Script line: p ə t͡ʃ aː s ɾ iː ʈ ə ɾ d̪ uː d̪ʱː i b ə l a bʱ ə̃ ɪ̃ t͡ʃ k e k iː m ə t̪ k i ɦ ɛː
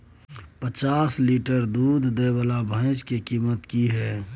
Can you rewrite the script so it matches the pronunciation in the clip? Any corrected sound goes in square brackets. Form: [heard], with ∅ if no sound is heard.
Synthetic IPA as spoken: p ə t͡ʃ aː s [l] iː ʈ ə ɾ d̪ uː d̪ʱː [e] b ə l a bʱ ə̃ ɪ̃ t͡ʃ k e k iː m ə t̪ k i ɦ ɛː